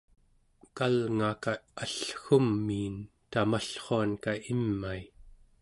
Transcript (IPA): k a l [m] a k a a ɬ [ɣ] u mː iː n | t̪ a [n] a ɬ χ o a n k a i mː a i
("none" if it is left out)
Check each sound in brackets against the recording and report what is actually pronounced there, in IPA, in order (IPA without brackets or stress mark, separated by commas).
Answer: ŋ, x, m